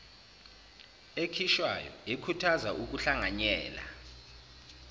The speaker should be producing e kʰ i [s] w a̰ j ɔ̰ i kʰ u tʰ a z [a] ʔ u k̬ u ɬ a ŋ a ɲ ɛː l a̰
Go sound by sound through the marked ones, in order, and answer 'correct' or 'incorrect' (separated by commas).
incorrect, correct